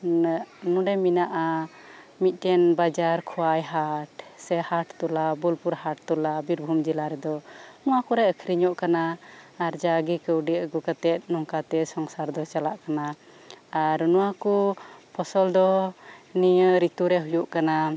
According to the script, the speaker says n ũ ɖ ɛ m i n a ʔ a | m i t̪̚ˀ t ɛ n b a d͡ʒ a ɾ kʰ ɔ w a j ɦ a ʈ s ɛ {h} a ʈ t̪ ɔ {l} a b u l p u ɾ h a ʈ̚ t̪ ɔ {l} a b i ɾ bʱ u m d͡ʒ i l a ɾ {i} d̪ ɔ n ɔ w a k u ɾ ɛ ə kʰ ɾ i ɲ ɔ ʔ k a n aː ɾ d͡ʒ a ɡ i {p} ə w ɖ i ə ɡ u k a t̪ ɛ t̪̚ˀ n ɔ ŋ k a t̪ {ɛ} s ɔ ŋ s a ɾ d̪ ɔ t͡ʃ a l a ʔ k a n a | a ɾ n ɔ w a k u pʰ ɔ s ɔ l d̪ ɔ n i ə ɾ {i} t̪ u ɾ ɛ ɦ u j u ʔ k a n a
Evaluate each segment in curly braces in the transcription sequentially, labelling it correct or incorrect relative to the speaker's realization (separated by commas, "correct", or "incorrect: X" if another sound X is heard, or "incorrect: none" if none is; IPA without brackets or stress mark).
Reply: correct, correct, correct, incorrect: ɛ, incorrect: k, correct, correct